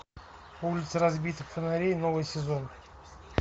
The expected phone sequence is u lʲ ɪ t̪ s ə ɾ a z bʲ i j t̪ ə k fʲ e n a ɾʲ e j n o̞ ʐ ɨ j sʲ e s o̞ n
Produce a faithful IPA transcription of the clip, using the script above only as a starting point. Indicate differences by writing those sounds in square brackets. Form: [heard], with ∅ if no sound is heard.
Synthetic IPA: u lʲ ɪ t̪ s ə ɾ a z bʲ i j t̪ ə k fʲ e n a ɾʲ e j n o̞ [v] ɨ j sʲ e [z] o̞ n